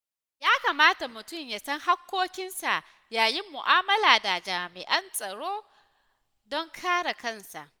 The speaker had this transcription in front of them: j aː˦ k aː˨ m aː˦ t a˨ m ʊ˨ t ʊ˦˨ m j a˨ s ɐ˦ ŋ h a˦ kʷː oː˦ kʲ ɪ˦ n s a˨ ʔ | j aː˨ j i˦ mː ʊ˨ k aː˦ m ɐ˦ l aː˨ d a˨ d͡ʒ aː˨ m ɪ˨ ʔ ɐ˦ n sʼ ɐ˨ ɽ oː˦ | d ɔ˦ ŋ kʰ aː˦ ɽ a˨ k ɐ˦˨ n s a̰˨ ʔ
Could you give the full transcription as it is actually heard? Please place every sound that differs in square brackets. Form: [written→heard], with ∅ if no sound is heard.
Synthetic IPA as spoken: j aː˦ k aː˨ m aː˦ t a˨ m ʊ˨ t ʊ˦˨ m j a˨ s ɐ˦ ŋ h a˦ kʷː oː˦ kʲ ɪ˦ n s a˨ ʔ | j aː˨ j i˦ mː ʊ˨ [k→ʔ] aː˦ m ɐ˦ l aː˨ d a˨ d͡ʒ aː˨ m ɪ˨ ʔ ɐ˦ n sʼ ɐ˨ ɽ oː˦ | d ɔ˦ ŋ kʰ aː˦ ɽ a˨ k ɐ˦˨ n s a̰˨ ʔ